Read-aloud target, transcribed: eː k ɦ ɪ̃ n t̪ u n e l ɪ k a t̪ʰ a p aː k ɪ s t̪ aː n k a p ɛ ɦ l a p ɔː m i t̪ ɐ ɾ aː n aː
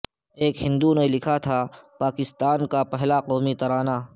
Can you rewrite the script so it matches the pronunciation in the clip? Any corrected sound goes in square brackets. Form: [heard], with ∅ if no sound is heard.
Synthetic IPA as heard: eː k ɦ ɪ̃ n [d̪] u n e l ɪ [kʰ] a t̪ʰ a p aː k ɪ s t̪ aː n k a p ɛ ɦ l a [q] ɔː m i t̪ ɐ ɾ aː n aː

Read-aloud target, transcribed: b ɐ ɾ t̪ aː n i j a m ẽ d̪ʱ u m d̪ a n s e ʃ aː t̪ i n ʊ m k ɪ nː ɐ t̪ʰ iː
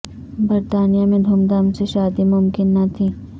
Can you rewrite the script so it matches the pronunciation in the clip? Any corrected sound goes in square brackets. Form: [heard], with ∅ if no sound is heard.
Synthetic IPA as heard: b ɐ ɾ t̪ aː n i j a m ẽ d̪ʱ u m d̪ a [m] s e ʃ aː [d̪] i [m] ʊ m k ɪ nː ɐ t̪ʰ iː

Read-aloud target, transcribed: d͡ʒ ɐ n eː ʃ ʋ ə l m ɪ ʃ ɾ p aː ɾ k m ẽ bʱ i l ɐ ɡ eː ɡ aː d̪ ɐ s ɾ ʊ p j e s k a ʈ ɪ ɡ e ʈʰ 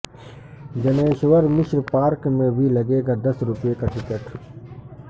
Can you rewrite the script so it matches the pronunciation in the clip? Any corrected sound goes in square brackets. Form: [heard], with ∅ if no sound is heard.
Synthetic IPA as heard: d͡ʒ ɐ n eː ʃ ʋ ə [ɾ] m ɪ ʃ ɾ p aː ɾ k m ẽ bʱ i l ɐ ɡ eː ɡ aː d̪ ɐ s ɾ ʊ p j e [∅] k a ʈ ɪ [k] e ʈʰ

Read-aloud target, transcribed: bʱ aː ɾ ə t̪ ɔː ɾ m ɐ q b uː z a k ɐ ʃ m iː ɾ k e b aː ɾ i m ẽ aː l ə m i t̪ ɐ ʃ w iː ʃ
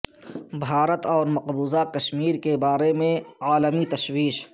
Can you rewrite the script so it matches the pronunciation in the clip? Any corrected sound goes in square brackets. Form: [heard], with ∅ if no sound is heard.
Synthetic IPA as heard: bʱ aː ɾ ə t̪ ɔː ɾ m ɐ q b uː z a k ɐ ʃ m iː ɾ k e b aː ɾ [e] m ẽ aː l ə m i t̪ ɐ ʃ w iː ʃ

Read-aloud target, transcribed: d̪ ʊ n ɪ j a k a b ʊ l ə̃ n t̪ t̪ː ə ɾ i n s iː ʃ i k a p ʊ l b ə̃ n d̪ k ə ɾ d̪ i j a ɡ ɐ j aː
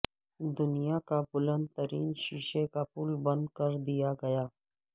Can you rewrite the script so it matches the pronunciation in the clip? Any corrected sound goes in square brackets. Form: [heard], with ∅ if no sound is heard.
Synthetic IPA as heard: d̪ ʊ n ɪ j a k a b ʊ l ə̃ n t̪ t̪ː ə ɾ [iː] n [ʃ] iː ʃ [e] k a p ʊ l b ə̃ n d̪ k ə ɾ d̪ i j a ɡ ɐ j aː

